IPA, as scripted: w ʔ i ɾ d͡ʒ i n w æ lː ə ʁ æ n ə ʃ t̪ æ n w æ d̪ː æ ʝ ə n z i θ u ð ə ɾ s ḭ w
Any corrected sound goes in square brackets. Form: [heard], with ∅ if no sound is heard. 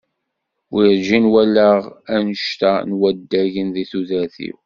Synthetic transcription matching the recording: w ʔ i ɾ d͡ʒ i n w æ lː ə ʁ æ n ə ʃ t̪ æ n w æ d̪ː æ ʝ ə n [ð] i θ u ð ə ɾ [θ] ḭ w